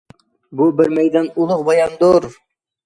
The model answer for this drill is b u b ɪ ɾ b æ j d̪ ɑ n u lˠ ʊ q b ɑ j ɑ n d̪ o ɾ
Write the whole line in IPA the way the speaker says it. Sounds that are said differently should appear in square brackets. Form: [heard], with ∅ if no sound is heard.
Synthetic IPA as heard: b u b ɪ ɾ [m] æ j d̪ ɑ n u lˠ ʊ q b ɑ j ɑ n d̪ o ɾ